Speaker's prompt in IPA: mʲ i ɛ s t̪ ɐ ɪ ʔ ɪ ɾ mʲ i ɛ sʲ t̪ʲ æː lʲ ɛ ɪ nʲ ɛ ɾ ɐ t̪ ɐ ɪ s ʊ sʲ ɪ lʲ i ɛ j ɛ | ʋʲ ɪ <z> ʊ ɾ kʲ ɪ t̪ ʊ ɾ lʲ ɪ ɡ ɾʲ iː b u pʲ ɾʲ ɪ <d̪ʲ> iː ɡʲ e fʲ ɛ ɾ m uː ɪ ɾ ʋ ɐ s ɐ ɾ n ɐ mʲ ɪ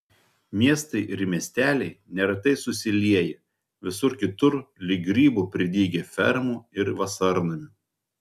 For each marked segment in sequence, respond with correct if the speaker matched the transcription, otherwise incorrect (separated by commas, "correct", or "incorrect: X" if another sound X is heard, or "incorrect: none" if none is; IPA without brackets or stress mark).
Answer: incorrect: s, correct